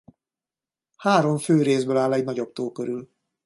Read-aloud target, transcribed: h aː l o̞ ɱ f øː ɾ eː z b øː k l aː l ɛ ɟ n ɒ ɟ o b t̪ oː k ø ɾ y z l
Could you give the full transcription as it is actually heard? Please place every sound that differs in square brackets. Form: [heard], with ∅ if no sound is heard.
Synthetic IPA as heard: h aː [ɾ] o̞ ɱ f øː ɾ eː z b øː [∅] l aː l ɛ ɟ n ɒ ɟ o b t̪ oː k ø ɾ y [∅] l